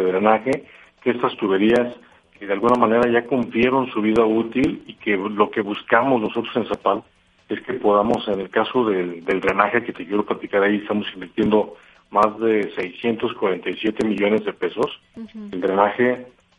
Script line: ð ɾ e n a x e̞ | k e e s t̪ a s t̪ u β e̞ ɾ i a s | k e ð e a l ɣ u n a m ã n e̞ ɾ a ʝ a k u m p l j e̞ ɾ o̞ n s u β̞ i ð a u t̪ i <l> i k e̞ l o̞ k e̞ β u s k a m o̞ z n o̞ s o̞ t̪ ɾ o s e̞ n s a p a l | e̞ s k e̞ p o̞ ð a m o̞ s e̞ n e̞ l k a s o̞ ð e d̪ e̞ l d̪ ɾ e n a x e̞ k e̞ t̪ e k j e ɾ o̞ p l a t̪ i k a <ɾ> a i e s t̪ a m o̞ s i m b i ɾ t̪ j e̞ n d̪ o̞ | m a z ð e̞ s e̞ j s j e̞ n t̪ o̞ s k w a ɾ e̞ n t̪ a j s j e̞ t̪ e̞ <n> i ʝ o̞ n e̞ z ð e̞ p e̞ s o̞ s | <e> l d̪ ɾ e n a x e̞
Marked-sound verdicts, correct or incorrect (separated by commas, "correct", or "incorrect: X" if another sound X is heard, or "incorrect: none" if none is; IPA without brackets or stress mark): correct, correct, incorrect: m, correct